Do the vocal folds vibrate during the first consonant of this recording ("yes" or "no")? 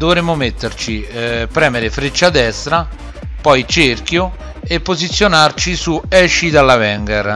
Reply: yes